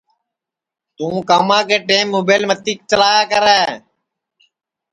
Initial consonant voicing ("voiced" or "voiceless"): voiceless